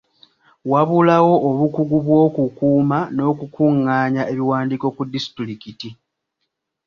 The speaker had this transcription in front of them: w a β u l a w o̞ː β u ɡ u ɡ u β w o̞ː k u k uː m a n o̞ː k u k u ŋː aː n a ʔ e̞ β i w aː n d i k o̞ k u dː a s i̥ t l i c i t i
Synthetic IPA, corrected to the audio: w a β u l a w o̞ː β u k u ɡ u β w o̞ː k u k uː m a n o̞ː k u k u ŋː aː ɲ a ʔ e̞ β i w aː n d i k o̞ k u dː i s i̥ t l i k i t i